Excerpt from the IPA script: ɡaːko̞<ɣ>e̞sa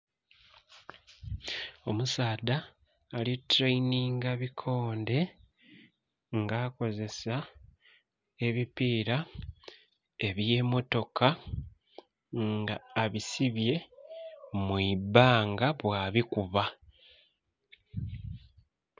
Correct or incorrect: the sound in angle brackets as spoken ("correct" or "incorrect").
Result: incorrect